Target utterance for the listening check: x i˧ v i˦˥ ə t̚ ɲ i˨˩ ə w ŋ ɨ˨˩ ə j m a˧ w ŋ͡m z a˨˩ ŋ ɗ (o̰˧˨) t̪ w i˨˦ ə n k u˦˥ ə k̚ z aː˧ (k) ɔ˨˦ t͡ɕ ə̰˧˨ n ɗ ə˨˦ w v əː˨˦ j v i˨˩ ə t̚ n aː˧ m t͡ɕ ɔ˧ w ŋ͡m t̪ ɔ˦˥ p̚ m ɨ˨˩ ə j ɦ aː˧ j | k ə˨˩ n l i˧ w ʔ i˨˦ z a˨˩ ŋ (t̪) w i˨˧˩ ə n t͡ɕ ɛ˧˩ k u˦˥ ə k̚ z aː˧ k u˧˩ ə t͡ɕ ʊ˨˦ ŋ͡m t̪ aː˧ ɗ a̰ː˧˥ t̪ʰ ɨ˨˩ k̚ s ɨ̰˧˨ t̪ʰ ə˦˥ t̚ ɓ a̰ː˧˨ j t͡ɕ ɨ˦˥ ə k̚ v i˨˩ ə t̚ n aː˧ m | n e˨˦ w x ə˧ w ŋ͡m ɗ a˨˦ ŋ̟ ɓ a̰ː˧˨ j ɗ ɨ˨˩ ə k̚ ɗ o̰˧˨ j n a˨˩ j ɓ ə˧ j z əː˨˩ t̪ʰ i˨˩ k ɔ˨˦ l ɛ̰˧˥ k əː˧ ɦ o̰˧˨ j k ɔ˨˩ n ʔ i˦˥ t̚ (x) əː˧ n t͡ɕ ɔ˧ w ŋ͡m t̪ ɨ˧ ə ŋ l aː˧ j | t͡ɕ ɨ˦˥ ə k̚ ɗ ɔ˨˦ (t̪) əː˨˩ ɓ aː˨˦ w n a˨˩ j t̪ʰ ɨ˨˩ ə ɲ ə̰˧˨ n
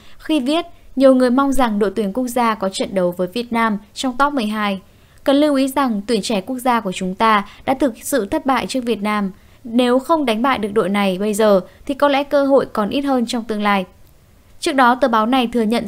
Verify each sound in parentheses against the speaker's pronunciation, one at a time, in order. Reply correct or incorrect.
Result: correct, correct, correct, incorrect: h, correct

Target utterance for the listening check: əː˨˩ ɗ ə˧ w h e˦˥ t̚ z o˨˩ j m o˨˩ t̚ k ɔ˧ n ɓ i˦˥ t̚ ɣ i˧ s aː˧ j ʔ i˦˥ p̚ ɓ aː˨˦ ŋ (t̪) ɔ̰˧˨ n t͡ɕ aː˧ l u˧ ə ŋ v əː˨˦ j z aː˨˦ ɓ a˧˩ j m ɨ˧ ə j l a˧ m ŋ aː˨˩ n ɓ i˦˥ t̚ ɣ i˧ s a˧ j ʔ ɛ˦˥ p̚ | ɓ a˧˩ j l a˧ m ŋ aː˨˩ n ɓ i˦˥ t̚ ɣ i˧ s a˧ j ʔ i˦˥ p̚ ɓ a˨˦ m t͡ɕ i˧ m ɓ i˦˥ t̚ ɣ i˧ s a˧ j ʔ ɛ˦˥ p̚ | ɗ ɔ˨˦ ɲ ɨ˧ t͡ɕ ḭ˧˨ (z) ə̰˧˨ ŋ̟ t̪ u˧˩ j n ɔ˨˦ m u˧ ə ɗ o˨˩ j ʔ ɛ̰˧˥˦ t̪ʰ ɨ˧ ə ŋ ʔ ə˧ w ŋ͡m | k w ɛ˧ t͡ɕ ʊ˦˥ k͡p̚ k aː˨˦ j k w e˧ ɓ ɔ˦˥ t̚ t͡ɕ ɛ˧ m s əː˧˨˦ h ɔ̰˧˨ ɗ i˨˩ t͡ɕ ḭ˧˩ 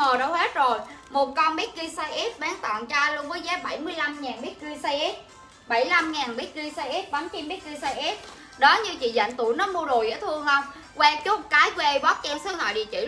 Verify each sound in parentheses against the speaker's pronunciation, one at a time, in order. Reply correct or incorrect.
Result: correct, correct

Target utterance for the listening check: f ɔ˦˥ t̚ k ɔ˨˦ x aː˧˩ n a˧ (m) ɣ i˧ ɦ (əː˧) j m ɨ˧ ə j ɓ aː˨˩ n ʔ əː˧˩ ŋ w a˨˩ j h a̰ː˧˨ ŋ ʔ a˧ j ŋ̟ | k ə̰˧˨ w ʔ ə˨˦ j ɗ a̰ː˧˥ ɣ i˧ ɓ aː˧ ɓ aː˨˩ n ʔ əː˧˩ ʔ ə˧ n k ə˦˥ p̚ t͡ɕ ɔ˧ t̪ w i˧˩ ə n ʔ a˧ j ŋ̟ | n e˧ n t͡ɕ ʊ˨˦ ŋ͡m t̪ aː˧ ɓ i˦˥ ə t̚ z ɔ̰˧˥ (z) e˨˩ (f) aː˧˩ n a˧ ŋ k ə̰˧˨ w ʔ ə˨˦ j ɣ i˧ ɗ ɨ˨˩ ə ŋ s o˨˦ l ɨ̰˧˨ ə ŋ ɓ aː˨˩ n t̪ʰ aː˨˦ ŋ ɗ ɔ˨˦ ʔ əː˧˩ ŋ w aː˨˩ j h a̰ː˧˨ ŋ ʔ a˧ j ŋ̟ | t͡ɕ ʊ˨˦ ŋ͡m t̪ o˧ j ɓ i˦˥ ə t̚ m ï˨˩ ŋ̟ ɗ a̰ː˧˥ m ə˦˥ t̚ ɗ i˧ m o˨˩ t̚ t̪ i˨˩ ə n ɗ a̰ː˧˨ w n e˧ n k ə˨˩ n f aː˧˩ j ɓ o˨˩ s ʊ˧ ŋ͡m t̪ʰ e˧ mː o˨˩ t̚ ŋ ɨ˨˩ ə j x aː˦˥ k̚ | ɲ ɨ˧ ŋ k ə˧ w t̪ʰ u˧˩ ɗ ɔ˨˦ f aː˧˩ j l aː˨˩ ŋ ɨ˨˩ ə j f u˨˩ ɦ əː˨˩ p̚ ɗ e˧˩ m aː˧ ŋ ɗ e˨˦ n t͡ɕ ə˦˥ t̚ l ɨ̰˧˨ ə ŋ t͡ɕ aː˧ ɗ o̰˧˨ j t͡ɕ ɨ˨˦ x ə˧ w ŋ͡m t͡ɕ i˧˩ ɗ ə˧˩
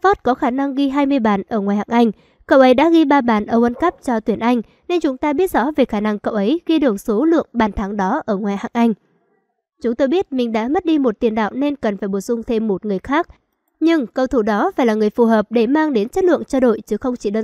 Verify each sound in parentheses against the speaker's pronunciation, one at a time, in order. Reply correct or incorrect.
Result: incorrect: ŋ, incorrect: aː˧, incorrect: v, incorrect: x

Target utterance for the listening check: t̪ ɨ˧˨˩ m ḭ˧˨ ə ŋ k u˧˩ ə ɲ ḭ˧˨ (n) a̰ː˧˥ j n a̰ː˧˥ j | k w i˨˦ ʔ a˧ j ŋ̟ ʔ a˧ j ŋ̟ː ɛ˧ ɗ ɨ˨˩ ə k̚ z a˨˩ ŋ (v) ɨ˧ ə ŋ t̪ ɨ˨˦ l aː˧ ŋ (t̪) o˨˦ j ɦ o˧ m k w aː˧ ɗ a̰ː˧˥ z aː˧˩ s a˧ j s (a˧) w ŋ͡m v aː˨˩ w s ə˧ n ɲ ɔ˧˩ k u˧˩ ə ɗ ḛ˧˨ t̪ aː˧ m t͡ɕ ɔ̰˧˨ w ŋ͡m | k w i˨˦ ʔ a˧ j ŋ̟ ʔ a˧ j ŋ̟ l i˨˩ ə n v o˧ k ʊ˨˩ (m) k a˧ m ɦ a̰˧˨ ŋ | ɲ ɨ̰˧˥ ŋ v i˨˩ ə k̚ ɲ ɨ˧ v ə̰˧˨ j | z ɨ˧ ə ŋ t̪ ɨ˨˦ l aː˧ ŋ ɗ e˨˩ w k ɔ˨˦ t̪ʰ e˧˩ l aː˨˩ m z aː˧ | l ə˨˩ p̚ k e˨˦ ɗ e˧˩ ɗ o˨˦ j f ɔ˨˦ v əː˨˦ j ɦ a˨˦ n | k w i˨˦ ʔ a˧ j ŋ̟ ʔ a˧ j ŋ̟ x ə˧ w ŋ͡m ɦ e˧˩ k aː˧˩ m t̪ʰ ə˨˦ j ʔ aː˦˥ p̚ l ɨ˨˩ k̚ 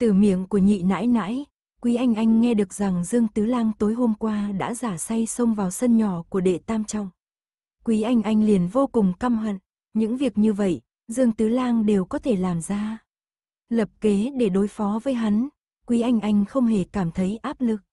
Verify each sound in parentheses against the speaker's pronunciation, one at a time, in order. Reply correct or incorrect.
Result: correct, incorrect: z, correct, incorrect: ə˧, incorrect: ŋ͡m

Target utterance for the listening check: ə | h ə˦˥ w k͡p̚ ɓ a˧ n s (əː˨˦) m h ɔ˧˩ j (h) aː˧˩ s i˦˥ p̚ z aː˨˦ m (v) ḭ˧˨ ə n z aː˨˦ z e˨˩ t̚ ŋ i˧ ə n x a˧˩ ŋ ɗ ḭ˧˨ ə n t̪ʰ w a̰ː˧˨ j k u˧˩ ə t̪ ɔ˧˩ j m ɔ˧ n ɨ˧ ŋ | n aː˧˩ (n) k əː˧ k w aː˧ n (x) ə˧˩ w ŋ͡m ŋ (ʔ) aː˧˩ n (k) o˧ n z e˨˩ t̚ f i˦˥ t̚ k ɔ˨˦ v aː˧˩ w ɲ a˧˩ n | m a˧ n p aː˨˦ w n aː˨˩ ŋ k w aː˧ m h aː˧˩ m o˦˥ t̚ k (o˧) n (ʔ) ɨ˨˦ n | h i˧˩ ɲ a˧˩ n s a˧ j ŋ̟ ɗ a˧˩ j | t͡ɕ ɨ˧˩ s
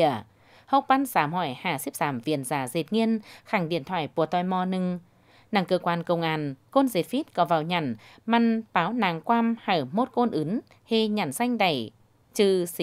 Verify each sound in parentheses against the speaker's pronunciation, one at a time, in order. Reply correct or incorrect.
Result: incorrect: aː˨˦, correct, correct, incorrect: ŋ, incorrect: k, correct, correct, correct, correct

